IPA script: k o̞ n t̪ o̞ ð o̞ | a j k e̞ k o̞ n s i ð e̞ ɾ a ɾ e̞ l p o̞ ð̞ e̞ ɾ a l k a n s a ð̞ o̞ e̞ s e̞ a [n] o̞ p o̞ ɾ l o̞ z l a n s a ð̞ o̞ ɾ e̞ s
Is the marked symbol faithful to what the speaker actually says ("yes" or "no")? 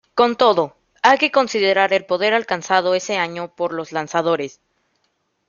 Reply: no